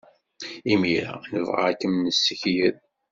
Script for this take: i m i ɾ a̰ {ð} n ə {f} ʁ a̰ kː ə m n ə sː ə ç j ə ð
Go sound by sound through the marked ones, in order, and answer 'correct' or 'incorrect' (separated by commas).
incorrect, incorrect